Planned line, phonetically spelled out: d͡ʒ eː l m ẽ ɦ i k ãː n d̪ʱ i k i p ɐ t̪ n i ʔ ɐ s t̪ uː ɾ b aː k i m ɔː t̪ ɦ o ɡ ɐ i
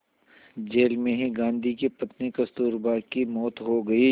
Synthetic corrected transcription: d͡ʒ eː l m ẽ ɦ i ɡ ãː n d̪ʱ i k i p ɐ t̪ n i k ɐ s t̪ uː ɾ b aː k i m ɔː t̪ ɦ o ɡ ɐ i